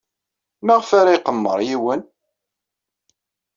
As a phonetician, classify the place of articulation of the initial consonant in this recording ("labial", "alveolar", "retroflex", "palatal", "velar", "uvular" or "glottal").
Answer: labial